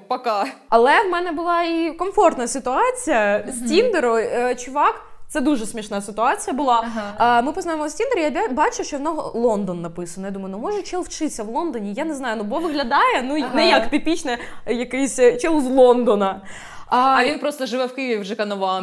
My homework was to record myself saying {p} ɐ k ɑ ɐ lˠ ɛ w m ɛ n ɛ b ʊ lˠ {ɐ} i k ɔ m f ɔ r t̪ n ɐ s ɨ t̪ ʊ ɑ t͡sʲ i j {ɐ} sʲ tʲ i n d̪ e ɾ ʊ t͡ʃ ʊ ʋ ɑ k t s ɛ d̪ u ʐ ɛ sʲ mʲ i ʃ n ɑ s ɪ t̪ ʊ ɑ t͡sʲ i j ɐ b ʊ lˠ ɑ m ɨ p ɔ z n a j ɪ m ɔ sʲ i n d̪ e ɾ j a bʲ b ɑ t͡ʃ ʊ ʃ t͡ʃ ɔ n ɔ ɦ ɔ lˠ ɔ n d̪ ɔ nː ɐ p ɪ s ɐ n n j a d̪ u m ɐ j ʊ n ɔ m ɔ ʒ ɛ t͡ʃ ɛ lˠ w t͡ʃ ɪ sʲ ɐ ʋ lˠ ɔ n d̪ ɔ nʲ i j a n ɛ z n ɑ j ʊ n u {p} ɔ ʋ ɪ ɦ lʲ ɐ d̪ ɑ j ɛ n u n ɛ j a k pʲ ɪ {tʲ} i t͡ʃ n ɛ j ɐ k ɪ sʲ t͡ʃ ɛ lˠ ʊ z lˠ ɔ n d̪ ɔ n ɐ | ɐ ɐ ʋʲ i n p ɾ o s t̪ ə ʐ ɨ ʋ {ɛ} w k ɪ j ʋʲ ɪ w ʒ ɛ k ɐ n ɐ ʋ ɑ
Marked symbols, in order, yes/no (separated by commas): yes, no, yes, no, no, yes